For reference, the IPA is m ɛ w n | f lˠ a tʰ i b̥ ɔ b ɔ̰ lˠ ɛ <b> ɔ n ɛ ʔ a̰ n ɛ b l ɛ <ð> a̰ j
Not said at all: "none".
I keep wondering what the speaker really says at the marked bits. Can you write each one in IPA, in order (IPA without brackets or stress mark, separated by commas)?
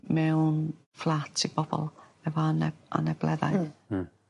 v, ð